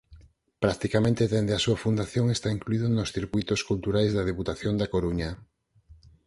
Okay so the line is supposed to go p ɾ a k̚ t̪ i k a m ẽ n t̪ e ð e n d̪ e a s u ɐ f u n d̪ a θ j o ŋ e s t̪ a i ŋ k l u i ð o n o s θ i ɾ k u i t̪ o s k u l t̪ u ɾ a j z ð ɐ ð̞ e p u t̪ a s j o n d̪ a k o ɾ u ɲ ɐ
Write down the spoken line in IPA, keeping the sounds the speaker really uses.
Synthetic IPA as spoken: p ɾ a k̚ t̪ i k a m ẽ n t̪ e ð e n d̪ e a s u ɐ f u n d̪ a θ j o ŋ e s t̪ a i ŋ k l u i ð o n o s θ i ɾ k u j t̪ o s k u l t̪ u ɾ a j z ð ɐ ð̞ e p u t̪ a θ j o n d̪ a k o ɾ u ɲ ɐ